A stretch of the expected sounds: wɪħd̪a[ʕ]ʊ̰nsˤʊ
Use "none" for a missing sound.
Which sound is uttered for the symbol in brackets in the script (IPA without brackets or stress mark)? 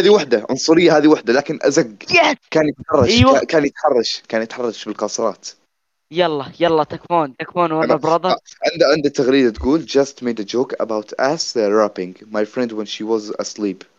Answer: ʕ